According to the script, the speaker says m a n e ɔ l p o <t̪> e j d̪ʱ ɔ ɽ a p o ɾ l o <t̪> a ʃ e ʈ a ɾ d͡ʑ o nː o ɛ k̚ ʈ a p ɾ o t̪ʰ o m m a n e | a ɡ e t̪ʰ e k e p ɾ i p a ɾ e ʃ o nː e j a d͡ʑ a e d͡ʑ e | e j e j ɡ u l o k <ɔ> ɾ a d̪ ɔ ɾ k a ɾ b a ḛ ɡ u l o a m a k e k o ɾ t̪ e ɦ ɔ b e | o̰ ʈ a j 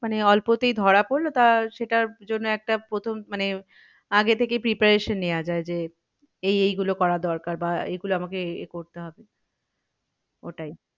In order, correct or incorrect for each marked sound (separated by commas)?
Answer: correct, correct, correct